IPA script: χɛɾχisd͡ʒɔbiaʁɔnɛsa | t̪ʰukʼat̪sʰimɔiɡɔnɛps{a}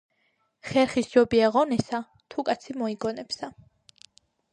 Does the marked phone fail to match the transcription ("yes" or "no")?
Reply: no